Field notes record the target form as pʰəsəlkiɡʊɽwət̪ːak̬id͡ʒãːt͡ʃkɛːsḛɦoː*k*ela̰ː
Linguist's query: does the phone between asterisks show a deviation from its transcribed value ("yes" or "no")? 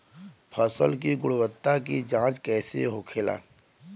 yes